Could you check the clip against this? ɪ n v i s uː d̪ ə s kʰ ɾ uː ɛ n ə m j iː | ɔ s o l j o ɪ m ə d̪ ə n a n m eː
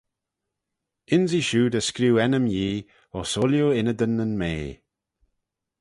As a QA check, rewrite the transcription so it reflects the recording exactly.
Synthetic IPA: ɪ n z i ʃ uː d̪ ə s k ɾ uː ɛ n ə m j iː | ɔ s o l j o ɪ n ə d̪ ə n ə n m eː